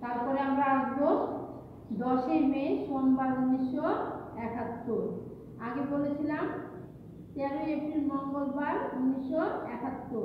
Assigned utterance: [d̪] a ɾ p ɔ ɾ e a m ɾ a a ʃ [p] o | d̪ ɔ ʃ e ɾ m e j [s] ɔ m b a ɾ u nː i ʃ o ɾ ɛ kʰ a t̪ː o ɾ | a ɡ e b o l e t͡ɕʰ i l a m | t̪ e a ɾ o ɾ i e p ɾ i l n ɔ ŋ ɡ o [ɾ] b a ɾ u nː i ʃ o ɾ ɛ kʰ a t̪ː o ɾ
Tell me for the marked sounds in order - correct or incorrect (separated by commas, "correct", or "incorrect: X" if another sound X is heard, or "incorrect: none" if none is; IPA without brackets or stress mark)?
incorrect: t̪, incorrect: b, incorrect: ʃ, incorrect: l